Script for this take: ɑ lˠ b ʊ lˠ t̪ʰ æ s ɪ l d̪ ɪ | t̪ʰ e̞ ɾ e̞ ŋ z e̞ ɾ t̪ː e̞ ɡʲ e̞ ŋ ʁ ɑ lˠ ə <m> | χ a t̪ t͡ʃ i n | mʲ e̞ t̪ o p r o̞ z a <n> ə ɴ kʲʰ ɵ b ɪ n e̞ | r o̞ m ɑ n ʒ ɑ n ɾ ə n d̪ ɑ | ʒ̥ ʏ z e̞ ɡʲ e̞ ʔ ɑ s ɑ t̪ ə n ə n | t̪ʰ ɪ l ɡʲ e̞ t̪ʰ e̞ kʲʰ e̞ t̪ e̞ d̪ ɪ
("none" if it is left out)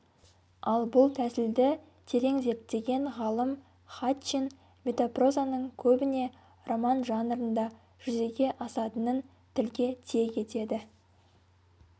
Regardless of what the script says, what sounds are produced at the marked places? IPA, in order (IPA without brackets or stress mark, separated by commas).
m, n